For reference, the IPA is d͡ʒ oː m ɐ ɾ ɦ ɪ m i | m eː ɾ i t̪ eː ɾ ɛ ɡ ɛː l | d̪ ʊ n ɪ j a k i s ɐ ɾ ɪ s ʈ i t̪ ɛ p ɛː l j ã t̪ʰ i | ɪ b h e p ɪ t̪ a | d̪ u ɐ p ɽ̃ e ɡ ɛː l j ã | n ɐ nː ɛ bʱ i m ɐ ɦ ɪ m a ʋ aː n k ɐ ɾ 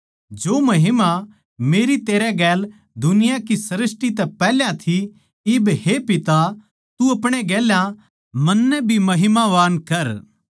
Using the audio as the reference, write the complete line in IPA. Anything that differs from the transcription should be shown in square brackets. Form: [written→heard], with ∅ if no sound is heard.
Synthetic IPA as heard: d͡ʒ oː m ɐ [ɾ→∅] ɦ ɪ m [i→a] | m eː ɾ i t̪ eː ɾ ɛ ɡ ɛː l | d̪ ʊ n ɪ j a k i s ɐ ɾ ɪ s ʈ i t̪ ɛ p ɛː l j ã t̪ʰ i | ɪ b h e p ɪ t̪ a | [d̪→t̪] u ɐ p ɽ̃ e ɡ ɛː l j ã | [n→m] ɐ nː ɛ bʱ i m ɐ ɦ ɪ m a ʋ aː n k ɐ ɾ